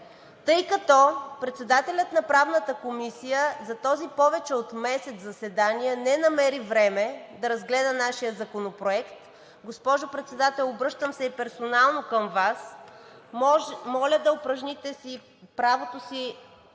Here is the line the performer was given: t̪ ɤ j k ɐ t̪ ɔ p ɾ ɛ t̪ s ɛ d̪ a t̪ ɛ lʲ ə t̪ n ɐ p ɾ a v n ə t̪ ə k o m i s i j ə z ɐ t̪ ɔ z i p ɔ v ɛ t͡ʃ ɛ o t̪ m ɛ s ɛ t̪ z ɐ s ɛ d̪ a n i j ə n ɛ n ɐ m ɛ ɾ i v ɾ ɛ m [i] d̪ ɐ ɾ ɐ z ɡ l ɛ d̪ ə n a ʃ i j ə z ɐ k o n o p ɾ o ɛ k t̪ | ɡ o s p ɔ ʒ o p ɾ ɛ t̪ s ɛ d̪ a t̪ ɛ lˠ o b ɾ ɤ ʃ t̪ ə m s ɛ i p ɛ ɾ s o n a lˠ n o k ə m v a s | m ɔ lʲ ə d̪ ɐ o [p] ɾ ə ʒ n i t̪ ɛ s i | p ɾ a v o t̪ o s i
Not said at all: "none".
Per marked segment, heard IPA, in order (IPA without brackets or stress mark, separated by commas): ɛ, p